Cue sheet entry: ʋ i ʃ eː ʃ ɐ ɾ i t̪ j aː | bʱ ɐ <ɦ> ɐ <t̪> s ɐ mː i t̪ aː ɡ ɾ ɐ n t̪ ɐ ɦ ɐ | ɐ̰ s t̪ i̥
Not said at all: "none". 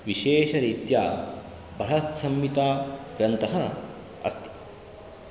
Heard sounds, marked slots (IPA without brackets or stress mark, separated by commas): ɦ, t̪